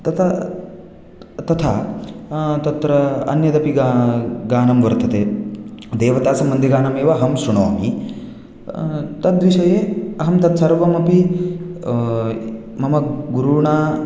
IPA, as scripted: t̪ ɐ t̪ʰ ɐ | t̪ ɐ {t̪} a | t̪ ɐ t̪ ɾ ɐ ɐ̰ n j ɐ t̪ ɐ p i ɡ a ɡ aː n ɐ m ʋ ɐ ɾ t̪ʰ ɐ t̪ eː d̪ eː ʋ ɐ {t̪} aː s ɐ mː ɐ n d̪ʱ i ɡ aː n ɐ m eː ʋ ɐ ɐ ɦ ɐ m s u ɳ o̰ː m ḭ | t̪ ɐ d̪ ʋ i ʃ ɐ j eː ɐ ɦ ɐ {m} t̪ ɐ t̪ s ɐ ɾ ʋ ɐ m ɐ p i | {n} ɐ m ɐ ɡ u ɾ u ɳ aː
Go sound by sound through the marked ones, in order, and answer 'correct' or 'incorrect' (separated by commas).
incorrect, correct, correct, incorrect